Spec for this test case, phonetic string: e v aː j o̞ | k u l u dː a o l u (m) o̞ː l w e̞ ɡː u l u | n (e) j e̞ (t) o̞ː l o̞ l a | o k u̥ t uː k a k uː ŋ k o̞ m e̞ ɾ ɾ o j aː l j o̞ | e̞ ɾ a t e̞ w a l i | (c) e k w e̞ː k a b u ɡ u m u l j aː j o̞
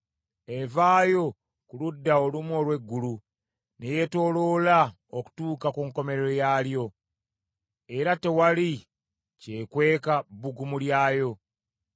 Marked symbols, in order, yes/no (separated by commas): yes, yes, yes, yes